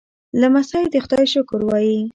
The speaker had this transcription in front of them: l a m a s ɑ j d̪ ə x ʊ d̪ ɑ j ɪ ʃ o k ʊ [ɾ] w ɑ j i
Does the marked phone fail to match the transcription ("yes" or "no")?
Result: no